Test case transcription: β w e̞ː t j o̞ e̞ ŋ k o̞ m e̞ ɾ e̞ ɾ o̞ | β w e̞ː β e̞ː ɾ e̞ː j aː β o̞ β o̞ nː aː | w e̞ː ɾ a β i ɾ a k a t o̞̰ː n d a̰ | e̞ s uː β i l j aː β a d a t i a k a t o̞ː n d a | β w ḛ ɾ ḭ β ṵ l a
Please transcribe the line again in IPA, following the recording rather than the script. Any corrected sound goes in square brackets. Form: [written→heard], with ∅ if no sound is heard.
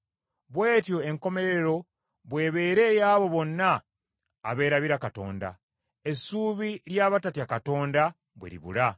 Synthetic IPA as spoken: β w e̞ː t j o̞ e̞ ŋ k o̞ m e̞ ɾ e̞ ɾ o̞ | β w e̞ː β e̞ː ɾ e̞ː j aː β o̞ β o̞ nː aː | [w→β] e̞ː ɾ a β i ɾ a k a t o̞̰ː n d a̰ | e̞ s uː β i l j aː β a [d→t] a t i a k a t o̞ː n d a | β w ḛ ɾ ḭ β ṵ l a